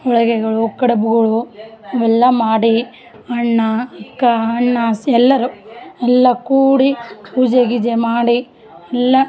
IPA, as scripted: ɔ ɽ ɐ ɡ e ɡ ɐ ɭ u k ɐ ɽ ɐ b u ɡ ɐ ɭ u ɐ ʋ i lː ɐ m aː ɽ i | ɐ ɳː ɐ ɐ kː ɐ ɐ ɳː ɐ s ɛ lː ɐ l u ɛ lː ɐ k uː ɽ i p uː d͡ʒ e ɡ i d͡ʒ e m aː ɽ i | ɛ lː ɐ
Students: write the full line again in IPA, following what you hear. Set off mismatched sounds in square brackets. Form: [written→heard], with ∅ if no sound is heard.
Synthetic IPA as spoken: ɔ [ɽ→ɭ] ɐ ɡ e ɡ ɐ ɭ u k ɐ ɽ ɐ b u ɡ ɐ ɭ u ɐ ʋ [i→ɛ] lː ɐ m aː ɽ i | ɐ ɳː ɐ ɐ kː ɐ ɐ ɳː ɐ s ɛ lː ɐ [l→ɾ] u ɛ lː ɐ k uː ɽ i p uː d͡ʒ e ɡ i d͡ʒ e m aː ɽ i | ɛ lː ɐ